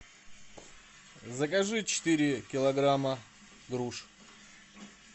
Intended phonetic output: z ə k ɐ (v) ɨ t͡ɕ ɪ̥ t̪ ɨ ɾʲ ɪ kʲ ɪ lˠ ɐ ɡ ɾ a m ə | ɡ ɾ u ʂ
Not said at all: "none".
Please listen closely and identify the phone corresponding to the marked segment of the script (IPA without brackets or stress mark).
ʐ